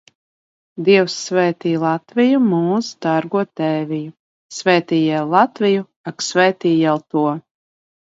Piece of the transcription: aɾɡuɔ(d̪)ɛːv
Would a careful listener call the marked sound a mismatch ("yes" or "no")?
yes